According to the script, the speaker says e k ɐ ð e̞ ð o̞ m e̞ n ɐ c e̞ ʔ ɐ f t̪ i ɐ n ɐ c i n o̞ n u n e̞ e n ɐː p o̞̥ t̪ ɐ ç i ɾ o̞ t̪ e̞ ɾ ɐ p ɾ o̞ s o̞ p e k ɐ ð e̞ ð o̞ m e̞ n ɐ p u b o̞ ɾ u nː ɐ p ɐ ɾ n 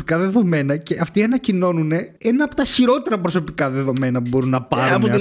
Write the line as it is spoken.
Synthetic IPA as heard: i k ɐ ð e̞ ð o̞ m e̞ n ɐ c e̞ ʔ ɐ f t̪ i ɐ n ɐ c i n o̞ n u n e̞ e n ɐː p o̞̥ t̪ ɐ ç i ɾ o̞ t̪ e̞ ɾ ɐ p ɾ o̞ s o̞ p i k ɐ ð e̞ ð o̞ m e̞ n ɐ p u b o̞ ɾ u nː ɐ p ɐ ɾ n